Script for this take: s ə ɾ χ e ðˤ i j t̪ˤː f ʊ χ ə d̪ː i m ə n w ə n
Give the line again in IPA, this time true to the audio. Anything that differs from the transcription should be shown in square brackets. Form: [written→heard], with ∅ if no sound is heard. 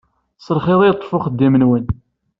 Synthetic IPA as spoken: s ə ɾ χ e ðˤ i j t̪ˤː f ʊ χ ə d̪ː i m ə n w ə n